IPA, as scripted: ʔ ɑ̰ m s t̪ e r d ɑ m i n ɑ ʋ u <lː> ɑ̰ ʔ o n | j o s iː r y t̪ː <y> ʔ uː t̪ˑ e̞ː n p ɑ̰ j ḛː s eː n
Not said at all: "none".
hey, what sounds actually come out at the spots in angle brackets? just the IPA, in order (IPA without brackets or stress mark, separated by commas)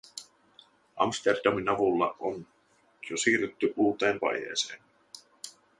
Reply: lː, y